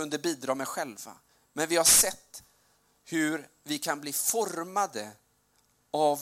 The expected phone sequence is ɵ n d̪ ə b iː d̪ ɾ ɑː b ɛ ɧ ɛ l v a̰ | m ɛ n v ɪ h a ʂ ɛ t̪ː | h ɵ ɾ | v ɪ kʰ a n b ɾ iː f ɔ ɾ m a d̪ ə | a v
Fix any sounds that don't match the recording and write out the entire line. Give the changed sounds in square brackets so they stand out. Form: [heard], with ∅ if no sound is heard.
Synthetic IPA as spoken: ɵ n d̪ ə b iː d̪ ɾ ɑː [m] ɛ ɧ ɛ l v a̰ | m ɛ n v ɪ h a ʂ ɛ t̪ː | h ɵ ɾ | v ɪ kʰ a n b [l] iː f ɔ ɾ m a d̪ ə | a v